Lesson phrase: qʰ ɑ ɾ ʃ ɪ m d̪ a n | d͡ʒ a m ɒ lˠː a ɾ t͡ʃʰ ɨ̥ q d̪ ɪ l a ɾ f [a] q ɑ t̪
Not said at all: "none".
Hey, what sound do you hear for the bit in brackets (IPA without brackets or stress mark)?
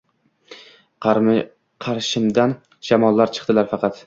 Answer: ɑ